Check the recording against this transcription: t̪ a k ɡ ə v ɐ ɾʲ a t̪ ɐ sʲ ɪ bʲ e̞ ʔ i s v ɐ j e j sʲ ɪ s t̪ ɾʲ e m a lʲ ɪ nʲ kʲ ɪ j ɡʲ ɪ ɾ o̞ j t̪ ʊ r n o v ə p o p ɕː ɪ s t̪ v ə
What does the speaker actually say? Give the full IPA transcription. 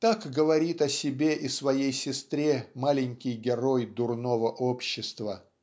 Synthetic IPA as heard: t̪ a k ɡ ə v ɐ ɾʲ i t̪ ɐ sʲ ɪ bʲ e̞ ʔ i s v ɐ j e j sʲ ɪ s t̪ ɾʲ e m a lʲ ɪ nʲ kʲ ɪ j ɡʲ ɪ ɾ o̞ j d̪ ʊ r n o v ə ʔ o p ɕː ɪ s t̪ v ə